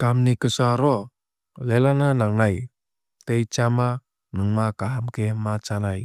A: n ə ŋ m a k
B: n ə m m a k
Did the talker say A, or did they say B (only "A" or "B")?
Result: A